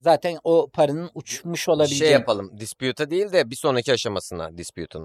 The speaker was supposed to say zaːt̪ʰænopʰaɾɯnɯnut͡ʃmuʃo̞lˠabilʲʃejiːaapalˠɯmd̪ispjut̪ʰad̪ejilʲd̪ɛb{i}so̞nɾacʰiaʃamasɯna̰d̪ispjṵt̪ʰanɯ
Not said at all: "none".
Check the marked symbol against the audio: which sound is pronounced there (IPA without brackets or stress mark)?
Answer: i